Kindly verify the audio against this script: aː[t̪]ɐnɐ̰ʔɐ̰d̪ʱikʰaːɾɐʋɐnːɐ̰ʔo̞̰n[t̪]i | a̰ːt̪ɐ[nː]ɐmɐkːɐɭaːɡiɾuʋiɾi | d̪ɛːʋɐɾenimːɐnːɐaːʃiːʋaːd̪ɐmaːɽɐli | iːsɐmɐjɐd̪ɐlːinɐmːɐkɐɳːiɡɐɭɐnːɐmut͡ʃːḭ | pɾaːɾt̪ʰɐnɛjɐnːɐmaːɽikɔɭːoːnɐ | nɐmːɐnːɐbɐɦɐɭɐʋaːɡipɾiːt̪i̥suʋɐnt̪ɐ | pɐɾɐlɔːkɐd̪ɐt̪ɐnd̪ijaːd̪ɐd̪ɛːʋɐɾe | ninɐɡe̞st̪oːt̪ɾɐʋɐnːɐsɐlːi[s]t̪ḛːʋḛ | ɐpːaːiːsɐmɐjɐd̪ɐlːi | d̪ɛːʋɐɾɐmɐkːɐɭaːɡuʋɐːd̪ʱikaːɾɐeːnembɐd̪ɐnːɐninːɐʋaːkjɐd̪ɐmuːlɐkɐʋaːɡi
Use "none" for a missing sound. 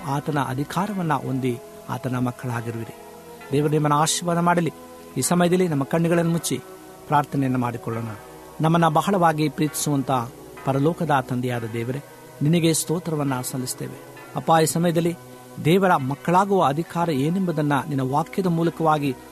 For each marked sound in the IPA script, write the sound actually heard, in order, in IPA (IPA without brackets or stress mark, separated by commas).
t̪, d̪, n, s